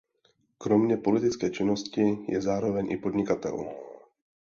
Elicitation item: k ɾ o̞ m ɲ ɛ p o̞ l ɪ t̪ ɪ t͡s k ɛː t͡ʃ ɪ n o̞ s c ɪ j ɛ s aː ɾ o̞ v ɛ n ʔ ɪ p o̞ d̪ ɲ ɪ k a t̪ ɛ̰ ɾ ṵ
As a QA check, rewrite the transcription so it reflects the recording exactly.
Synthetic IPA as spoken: k ɾ o̞ m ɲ ɛ p o̞ l ɪ t̪ ɪ t͡s k ɛː t͡ʃ ɪ n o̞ s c ɪ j ɛ z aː ɾ o̞ v ɛ ɲ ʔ ɪ p o̞ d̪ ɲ ɪ k a t̪ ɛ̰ l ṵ